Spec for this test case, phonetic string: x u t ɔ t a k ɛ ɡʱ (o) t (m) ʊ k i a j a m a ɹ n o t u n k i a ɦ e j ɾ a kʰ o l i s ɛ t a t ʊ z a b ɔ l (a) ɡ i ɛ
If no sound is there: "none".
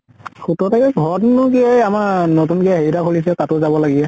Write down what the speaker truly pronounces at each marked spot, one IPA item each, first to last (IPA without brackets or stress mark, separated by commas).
ɔ, n, a